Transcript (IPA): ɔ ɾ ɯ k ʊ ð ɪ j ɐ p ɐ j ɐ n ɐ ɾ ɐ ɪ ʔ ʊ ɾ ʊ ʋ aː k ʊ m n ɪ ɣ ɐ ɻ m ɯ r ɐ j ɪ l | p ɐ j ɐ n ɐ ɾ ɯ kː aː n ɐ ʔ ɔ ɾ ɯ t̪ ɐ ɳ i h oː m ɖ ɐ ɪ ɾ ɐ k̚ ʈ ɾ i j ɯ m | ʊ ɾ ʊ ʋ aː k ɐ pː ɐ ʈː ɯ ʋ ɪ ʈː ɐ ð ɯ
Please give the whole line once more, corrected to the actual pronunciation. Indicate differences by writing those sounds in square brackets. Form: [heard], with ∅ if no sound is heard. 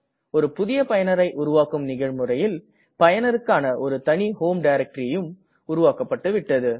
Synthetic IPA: ɔ ɾ ɯ [p] ʊ ð ɪ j ɐ p ɐ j ɐ n ɐ ɾ ɐ ɪ ʔ ʊ ɾ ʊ ʋ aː k [ɯ] m n ɪ ɣ ɐ ɻ m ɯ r ɐ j ɪ l | p ɐ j ɐ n ɐ ɾ ɯ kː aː n ɐ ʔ ɔ ɾ ɯ t̪ ɐ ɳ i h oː m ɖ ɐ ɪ ɾ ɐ k̚ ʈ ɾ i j ɯ m | ʊ ɾ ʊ ʋ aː k ɐ pː ɐ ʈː ɯ ʋ ɪ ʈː ɐ ð ɯ